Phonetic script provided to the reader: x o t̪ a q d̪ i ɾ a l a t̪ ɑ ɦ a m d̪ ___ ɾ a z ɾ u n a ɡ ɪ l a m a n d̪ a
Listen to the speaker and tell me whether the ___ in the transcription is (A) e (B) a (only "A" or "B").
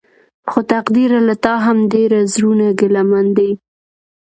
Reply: A